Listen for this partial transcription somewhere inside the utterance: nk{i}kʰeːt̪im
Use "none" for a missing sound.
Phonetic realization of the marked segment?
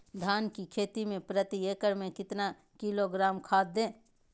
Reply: i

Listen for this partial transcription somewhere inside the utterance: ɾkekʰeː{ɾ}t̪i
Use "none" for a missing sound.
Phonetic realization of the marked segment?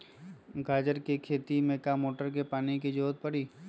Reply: none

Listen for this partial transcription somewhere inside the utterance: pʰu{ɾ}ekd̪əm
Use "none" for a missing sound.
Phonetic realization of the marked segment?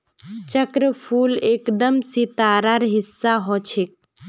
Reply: l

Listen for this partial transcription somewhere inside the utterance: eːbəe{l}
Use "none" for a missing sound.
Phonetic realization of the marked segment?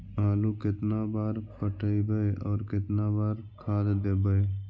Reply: none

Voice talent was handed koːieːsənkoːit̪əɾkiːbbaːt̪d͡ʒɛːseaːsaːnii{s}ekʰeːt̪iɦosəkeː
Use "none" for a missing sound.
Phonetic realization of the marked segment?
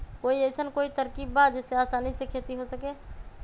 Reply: s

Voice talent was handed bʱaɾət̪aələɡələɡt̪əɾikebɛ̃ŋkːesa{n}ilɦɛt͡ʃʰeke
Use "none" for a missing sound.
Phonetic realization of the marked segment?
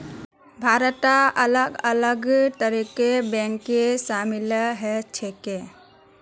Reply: m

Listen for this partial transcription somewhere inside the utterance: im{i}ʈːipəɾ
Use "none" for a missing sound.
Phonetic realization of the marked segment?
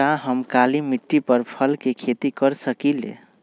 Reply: i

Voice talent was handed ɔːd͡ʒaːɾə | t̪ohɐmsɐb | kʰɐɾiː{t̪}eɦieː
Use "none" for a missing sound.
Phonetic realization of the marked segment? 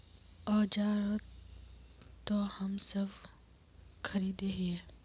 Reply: d̪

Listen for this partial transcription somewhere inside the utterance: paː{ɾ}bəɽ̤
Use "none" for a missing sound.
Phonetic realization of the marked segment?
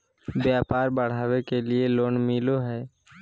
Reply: ɾ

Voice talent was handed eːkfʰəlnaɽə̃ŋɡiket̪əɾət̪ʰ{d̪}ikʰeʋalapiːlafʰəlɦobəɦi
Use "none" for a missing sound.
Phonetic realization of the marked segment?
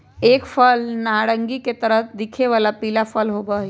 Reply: d̪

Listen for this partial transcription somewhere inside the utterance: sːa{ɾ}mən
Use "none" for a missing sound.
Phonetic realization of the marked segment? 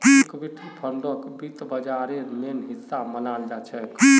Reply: none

